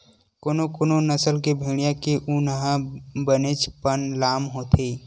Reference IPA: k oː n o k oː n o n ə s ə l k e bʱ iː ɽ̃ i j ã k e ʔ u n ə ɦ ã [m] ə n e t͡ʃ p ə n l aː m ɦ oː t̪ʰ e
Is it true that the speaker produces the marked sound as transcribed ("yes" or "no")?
no